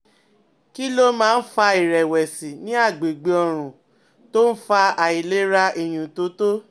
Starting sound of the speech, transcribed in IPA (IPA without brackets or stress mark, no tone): k